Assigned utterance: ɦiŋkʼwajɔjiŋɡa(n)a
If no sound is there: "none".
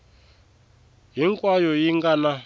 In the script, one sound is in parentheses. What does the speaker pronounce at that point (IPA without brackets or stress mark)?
n